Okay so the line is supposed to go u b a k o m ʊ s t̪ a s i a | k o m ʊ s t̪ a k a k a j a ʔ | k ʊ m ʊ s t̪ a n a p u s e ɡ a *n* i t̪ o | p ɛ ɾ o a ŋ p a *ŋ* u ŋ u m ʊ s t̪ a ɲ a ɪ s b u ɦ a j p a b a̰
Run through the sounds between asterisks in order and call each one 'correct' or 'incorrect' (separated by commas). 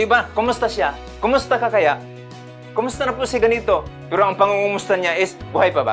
correct, correct